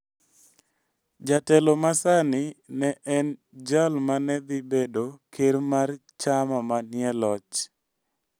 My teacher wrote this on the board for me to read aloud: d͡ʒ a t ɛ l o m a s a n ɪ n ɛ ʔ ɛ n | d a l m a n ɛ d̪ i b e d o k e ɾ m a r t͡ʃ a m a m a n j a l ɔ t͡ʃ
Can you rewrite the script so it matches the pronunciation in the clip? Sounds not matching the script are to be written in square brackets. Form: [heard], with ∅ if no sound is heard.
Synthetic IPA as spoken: d͡ʒ a t ɛ l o m a s a n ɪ n ɛ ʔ ɛ n | [d͡ʒ] a l m a n ɛ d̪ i b e d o k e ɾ m a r t͡ʃ a m a m a n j [ɛ] l ɔ t͡ʃ